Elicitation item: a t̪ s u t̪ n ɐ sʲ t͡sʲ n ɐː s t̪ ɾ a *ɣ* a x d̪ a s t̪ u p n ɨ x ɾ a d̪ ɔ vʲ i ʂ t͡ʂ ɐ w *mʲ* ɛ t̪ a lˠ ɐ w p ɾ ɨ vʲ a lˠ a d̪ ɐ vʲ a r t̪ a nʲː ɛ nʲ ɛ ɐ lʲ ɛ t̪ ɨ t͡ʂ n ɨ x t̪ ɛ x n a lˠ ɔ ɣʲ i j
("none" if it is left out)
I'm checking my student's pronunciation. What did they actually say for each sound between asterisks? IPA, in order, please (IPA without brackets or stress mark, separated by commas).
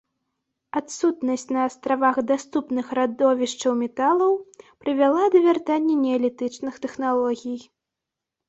v, mʲ